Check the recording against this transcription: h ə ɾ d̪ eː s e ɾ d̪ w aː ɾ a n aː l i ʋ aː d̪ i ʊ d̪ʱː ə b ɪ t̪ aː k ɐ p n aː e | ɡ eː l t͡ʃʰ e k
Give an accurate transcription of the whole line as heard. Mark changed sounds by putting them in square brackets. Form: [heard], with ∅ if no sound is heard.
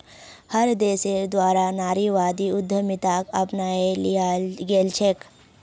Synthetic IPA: h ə ɾ d̪ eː s e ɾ d̪ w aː ɾ a n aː [ɾ] i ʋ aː d̪ i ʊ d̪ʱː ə [m] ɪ t̪ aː k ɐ p n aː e | ɡ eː l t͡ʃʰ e k